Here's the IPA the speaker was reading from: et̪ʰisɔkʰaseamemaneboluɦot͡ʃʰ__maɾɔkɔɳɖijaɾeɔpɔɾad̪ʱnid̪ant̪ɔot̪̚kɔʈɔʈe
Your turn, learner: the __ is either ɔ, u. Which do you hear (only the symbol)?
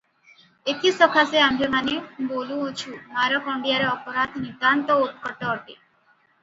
u